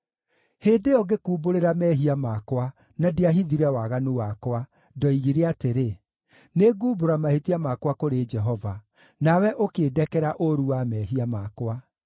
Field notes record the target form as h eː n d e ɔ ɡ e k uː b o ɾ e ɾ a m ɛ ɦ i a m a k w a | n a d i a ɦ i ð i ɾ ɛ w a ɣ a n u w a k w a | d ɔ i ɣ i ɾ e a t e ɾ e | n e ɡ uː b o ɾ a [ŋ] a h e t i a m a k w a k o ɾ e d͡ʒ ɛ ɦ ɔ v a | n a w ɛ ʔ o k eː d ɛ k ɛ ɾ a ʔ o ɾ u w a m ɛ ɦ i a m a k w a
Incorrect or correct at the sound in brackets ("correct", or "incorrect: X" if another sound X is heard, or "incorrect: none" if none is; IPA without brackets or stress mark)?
incorrect: m